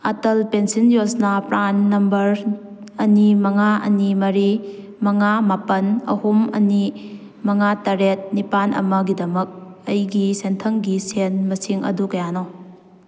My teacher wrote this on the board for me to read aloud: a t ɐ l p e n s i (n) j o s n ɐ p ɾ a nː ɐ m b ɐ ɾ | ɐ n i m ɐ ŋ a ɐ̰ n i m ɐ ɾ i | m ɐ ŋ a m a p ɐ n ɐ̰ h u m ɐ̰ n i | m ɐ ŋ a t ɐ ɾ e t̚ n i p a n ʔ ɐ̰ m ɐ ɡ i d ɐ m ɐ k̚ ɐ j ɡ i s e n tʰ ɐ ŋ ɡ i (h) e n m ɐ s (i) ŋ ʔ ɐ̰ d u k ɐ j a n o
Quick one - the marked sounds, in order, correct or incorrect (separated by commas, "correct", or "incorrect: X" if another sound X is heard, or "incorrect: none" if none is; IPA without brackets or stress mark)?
correct, incorrect: s, correct